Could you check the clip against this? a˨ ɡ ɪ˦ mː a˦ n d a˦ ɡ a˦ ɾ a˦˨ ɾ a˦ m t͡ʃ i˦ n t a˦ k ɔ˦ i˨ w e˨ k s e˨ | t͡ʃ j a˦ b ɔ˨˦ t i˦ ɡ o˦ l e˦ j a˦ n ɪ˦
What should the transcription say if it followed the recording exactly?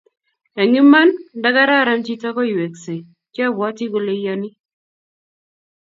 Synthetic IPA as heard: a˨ ŋ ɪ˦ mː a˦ n d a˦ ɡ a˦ ɾ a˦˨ ɾ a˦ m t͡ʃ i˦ t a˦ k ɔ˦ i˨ w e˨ k s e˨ | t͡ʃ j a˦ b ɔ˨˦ t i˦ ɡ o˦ l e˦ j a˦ n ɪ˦